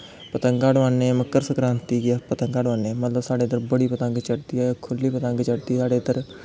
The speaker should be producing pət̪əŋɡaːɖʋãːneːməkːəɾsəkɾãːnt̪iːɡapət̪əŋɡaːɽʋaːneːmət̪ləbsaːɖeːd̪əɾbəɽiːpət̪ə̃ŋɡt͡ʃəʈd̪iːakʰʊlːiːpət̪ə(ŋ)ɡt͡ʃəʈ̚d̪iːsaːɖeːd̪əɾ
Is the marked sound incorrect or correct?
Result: correct